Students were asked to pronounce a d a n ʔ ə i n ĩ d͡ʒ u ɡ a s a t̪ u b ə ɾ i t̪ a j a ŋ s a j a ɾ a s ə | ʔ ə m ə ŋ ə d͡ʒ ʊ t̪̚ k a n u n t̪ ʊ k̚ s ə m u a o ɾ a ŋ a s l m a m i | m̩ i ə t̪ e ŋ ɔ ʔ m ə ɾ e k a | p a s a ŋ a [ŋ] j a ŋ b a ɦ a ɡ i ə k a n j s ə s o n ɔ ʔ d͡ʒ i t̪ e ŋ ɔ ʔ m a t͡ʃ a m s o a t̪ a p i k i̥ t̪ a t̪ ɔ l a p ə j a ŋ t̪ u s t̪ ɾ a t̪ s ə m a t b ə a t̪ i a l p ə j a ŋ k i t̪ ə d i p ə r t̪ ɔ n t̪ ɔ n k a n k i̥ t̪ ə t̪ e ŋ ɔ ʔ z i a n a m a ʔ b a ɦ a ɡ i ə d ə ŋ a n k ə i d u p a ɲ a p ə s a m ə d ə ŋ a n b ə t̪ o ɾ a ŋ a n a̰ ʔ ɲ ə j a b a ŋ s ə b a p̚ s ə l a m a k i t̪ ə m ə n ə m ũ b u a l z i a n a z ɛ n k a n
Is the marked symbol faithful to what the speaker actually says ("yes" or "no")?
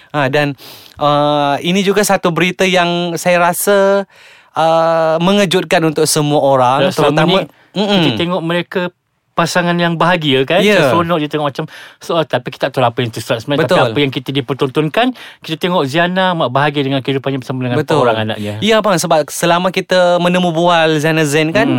no